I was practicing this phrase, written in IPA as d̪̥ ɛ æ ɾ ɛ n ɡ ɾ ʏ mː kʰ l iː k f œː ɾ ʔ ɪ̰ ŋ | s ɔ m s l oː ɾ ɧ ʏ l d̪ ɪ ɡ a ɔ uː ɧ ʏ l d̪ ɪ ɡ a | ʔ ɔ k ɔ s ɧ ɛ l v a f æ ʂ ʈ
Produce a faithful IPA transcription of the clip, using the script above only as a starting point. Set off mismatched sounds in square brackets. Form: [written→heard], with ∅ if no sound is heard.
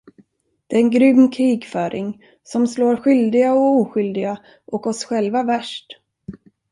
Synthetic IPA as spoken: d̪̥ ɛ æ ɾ ɛ n ɡ ɾ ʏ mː kʰ [l→ɾ] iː [k→ɡ] f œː ɾ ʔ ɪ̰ ŋ | s ɔ m s l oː ɾ ɧ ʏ l d̪ ɪ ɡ a ɔ uː ɧ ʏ l d̪ ɪ ɡ a | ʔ ɔ k ɔ s ɧ ɛ l v a [f→v] æ ʂ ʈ